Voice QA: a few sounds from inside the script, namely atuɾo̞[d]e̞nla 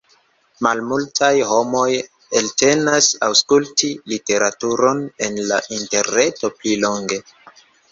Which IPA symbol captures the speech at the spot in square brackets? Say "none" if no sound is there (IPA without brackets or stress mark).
n